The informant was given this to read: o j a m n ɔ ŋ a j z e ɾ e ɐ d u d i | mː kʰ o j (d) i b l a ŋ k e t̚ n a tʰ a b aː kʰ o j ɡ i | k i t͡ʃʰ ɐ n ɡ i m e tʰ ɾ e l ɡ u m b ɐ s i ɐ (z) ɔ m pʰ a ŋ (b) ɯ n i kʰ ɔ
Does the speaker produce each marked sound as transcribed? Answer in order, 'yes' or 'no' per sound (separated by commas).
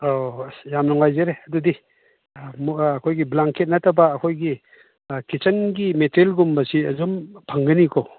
no, yes, no